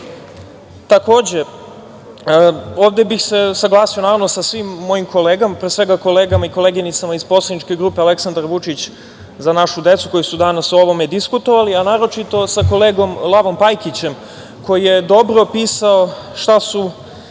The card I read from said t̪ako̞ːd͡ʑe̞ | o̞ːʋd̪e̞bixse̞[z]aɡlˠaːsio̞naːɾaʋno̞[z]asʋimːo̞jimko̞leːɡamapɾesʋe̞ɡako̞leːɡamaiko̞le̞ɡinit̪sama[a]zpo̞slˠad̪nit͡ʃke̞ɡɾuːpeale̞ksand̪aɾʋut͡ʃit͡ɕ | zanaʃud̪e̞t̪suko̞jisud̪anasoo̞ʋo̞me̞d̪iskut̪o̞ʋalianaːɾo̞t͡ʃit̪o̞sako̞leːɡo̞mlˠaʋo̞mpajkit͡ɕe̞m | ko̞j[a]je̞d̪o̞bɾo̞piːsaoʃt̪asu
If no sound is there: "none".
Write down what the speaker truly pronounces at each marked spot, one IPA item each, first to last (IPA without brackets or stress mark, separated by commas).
s, s, i, i